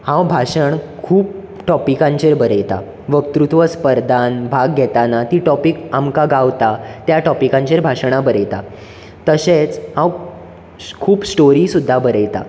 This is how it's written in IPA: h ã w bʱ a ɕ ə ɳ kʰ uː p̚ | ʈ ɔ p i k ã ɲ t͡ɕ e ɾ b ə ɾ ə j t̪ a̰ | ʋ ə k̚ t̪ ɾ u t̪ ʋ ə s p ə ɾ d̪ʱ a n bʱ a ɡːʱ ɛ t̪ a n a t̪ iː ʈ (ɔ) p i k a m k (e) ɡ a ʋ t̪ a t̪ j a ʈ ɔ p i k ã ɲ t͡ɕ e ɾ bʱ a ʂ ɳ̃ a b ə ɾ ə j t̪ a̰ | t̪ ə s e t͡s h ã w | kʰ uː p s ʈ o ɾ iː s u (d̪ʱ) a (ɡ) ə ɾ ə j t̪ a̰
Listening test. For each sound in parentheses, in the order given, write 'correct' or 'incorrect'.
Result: correct, incorrect: a, incorrect: d̪ʱː, incorrect: b

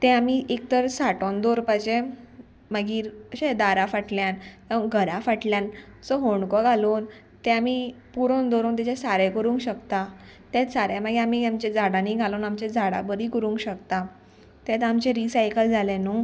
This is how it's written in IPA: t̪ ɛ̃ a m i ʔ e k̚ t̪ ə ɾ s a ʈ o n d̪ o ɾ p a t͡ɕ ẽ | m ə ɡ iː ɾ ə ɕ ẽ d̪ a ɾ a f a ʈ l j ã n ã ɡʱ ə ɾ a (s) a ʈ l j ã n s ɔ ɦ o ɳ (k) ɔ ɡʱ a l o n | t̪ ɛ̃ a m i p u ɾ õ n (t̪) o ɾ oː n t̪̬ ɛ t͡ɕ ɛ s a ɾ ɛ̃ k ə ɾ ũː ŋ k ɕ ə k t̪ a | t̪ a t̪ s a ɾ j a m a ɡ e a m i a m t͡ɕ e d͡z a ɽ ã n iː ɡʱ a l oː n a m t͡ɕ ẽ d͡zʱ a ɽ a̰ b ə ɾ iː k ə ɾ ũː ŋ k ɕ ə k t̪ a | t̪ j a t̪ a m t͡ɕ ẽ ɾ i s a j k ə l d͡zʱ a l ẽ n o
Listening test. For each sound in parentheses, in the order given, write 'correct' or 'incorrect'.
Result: incorrect: f, correct, incorrect: d̪

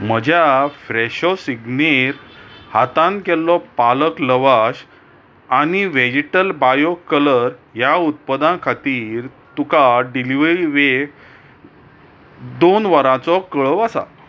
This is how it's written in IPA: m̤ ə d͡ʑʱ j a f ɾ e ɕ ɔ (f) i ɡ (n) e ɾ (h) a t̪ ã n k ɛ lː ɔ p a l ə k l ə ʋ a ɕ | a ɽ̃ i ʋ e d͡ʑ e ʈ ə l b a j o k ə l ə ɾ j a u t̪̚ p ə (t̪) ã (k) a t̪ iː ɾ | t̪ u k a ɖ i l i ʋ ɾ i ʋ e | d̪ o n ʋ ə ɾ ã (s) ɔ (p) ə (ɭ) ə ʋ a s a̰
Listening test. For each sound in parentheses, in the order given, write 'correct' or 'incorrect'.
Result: incorrect: s, correct, correct, incorrect: d̪, incorrect: kʰ, incorrect: t͡s, incorrect: k, correct

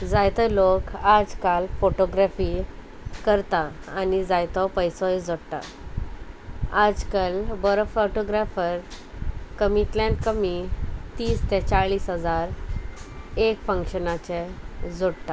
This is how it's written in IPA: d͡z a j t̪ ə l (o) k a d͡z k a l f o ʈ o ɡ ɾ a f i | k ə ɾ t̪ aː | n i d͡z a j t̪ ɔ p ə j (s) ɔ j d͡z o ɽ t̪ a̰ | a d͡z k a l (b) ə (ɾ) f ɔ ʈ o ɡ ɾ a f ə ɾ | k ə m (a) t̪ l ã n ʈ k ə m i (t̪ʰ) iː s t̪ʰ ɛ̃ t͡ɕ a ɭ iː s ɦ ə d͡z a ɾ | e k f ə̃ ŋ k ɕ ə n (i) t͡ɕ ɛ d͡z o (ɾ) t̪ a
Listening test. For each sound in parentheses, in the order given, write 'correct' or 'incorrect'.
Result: correct, correct, correct, correct, incorrect: i, incorrect: t̪, incorrect: a, incorrect: ɽ

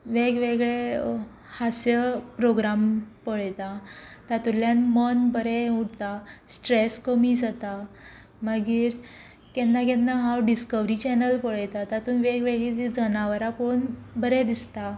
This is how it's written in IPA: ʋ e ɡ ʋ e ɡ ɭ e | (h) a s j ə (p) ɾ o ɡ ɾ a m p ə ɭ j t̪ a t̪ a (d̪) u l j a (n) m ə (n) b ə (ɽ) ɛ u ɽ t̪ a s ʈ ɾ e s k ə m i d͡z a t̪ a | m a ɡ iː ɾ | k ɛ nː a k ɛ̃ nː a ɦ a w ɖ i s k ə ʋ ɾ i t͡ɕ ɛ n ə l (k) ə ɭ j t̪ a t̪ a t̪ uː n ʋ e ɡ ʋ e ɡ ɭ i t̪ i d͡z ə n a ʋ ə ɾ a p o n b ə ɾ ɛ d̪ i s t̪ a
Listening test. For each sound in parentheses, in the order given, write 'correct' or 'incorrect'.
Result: correct, correct, incorrect: t̪, correct, correct, incorrect: ɾ, incorrect: p

